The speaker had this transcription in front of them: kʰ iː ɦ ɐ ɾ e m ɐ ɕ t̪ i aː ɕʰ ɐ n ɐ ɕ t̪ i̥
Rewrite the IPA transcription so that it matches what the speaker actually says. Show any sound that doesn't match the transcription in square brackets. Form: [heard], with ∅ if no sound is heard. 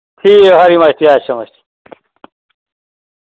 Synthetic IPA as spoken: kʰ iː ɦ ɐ ɾ [i] m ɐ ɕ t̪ i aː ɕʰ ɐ [m] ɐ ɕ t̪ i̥